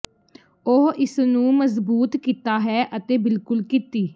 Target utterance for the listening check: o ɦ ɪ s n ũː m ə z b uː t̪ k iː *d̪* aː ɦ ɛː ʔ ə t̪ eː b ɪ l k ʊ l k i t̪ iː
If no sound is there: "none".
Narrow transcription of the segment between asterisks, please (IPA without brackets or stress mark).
t̪